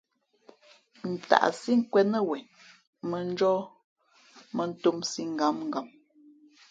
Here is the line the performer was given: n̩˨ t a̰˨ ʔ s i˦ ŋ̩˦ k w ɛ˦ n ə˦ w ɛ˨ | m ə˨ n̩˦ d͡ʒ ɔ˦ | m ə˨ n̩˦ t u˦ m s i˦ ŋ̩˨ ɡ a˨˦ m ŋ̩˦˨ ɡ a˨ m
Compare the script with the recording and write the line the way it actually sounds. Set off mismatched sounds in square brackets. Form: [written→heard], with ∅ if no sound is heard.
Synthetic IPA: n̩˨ t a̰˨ ʔ s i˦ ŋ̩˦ k w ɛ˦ n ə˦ w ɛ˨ | m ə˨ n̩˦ d͡ʒ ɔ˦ | m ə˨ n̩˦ t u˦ m s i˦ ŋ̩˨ ɡ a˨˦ m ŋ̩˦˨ ɡ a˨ m